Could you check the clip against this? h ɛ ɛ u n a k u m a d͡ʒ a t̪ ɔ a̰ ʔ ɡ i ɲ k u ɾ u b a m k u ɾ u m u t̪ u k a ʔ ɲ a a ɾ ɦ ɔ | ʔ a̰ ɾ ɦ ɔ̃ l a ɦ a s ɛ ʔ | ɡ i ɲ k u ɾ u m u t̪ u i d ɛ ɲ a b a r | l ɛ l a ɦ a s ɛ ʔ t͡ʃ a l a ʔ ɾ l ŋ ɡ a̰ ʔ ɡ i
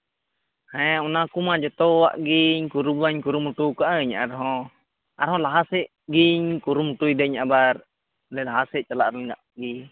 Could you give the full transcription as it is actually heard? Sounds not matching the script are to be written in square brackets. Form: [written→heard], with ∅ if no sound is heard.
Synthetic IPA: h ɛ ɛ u n a k u m a d͡ʒ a t̪ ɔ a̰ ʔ ɡ i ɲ k u ɾ u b a [m→ɲ] k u ɾ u m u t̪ u k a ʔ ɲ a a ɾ ɦ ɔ | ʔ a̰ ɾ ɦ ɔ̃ l a ɦ a s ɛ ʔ | ɡ i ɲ k u ɾ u m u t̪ u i d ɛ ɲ a b a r | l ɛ l a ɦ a s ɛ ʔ t͡ʃ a l a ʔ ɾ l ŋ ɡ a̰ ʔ ɡ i